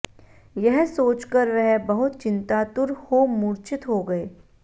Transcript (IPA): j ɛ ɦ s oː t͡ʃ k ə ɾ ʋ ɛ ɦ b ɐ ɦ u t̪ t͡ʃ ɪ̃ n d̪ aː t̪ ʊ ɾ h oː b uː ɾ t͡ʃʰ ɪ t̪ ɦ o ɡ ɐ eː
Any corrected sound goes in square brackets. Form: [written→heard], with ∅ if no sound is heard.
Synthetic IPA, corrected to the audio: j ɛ ɦ s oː t͡ʃ k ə ɾ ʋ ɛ ɦ b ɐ ɦ [u→ʊ] t̪ t͡ʃ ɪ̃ n [d̪→t̪] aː t̪ ʊ ɾ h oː [b→m] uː ɾ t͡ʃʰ ɪ t̪ ɦ o ɡ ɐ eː